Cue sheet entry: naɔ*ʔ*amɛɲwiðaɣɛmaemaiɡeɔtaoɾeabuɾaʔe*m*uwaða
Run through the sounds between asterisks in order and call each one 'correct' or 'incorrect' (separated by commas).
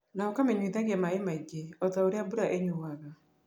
incorrect, incorrect